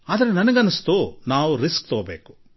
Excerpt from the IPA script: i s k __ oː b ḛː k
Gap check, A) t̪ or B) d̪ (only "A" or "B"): A